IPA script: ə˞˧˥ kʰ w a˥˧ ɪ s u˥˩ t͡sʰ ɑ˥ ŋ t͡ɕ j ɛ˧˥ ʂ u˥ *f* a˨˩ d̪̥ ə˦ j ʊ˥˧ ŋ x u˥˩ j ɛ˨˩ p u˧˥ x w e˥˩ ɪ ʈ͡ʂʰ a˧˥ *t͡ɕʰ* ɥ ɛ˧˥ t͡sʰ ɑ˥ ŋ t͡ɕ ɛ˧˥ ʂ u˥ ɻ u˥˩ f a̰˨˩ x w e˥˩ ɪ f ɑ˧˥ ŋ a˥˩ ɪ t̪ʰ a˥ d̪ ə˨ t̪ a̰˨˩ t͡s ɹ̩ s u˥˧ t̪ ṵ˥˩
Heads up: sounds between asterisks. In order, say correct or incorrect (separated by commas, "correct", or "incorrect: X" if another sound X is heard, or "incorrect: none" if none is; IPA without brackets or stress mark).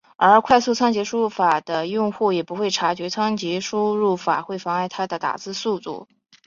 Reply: correct, incorrect: t͡ɕ